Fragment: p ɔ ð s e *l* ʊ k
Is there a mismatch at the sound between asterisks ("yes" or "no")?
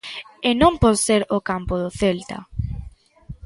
yes